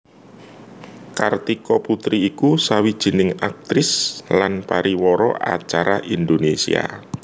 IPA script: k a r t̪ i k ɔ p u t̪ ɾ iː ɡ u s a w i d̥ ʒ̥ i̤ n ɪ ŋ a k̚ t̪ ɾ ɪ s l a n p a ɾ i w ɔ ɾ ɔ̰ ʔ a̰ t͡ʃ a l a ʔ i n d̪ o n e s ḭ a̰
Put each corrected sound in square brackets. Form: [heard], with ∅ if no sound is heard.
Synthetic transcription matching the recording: k a r t̪ i k ɔ p u t̪ ɾ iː [k] u s a w i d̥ ʒ̥ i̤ n ɪ ŋ a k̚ t̪ ɾ ɪ s l a n p a ɾ i w ɔ ɾ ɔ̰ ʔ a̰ t͡ʃ a [ɾ] a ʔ i n d̪ o n e s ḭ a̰